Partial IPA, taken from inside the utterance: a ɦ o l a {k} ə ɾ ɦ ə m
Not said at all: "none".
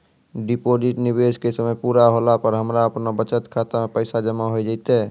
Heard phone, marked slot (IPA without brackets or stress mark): p